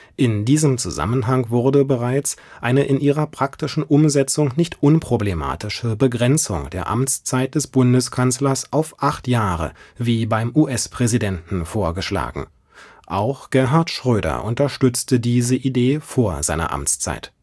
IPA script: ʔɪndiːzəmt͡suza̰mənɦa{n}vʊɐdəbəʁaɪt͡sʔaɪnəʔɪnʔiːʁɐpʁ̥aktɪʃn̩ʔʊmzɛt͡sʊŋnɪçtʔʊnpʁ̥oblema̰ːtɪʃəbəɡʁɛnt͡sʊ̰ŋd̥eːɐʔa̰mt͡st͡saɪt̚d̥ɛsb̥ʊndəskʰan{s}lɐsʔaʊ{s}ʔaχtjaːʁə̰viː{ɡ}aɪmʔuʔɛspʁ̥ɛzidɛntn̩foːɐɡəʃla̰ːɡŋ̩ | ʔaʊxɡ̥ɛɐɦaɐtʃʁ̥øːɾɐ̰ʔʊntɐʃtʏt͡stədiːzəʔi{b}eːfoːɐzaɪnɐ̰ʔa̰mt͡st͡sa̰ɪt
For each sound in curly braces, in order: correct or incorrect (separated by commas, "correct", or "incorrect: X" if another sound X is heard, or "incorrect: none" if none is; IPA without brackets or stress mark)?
incorrect: ŋ, correct, incorrect: f, incorrect: b, incorrect: d